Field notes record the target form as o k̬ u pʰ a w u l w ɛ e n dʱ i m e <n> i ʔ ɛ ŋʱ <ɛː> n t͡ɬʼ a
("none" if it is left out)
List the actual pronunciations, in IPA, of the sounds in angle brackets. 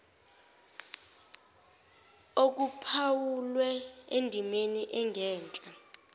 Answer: n, ɛː

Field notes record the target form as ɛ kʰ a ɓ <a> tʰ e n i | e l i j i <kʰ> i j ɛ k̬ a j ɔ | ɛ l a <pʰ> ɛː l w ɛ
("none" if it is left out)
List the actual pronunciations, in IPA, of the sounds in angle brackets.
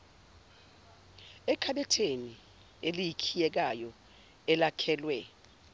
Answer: ɛ, kʰ, kʰ

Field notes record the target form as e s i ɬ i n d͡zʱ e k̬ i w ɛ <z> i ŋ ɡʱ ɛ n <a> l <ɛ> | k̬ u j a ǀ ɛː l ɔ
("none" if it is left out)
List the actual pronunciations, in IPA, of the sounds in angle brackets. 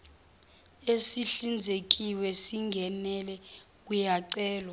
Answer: s, ɛ, ɛ

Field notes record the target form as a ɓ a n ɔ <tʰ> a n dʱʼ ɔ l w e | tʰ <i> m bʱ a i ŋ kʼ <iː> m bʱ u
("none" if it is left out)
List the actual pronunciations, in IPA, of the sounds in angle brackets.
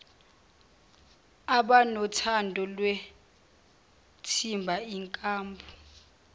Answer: tʰ, i, aː

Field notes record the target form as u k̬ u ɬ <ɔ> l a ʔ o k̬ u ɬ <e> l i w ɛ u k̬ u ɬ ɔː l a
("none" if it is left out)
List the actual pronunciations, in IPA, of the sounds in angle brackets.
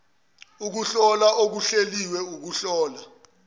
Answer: ɔ, e

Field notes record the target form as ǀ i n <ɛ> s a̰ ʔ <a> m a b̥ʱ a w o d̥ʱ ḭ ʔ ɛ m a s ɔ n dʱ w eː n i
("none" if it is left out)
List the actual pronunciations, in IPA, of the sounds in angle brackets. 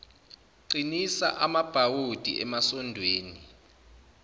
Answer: i, a

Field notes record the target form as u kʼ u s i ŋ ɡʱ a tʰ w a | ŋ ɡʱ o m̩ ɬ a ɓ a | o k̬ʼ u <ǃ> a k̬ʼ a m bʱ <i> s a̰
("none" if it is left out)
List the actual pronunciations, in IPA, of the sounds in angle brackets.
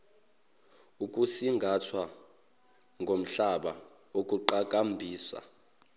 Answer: ǃ, iː

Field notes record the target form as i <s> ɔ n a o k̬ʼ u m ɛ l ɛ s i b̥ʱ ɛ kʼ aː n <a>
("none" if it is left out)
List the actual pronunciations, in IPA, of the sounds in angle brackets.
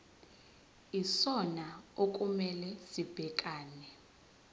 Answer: s, ɛ

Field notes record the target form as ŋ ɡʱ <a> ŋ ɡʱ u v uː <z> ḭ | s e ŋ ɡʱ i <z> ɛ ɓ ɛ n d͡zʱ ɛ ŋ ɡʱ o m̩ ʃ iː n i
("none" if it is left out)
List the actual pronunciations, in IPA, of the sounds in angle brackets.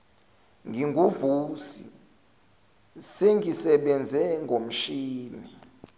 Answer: i, s, s

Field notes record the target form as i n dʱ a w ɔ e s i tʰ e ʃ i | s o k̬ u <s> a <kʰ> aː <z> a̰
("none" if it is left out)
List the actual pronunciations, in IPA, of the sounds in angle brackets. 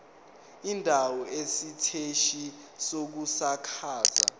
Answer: s, kʰ, z

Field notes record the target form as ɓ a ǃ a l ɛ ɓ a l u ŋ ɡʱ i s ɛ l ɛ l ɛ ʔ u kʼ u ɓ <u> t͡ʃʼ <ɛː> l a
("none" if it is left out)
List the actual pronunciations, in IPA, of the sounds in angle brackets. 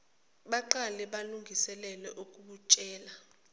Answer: u, ɛː

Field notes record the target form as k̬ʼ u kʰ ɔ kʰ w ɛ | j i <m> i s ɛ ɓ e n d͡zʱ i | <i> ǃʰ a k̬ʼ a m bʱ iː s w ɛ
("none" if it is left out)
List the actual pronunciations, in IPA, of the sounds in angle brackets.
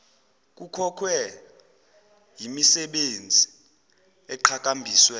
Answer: m, ɛ

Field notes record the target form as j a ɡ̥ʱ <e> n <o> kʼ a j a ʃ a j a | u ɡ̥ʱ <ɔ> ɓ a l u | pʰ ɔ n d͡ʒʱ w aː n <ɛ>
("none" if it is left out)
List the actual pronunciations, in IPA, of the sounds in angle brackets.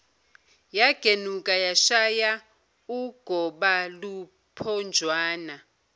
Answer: e, u, ɔ, a

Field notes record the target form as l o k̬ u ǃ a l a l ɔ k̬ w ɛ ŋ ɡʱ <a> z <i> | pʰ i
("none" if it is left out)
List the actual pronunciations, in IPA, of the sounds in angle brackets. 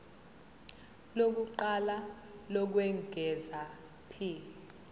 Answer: ɛ, a

